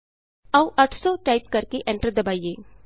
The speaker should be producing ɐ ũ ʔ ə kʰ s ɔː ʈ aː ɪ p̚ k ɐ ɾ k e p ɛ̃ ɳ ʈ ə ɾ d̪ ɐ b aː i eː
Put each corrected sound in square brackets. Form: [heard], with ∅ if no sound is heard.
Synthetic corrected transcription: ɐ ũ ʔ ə [ʈʰ] s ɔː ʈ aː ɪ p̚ k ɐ ɾ k e [ʔ] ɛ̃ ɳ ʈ ə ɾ d̪ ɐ b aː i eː